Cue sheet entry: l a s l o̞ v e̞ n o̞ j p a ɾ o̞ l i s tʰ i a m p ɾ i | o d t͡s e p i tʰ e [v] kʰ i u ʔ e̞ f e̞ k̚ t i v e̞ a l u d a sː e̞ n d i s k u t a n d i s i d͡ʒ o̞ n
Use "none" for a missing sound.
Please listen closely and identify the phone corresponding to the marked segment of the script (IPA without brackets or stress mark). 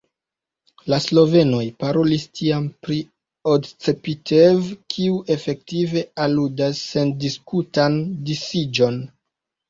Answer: v